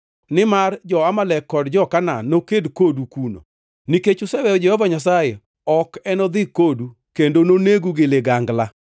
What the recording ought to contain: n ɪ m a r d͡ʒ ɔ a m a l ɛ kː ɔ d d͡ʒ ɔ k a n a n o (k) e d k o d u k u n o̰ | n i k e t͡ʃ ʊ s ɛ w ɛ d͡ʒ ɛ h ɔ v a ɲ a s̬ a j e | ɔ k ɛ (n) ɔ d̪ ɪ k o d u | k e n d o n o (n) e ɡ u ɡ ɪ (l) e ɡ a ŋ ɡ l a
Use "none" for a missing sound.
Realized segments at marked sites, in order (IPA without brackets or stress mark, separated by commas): k, n, n, l